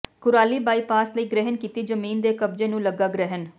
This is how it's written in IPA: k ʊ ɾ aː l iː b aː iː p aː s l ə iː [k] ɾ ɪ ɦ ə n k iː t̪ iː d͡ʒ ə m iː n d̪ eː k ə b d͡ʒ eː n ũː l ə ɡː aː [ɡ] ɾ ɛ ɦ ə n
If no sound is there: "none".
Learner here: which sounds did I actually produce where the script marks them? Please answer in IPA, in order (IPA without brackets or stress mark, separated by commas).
ɡ, ɡ